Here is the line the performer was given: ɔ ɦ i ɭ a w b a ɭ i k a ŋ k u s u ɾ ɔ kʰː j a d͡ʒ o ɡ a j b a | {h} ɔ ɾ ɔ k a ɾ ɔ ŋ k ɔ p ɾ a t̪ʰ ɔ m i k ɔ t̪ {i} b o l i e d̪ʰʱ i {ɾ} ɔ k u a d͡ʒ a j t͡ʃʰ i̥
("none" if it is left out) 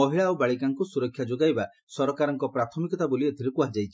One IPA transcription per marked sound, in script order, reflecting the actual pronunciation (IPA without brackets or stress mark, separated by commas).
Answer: s, a, ɾ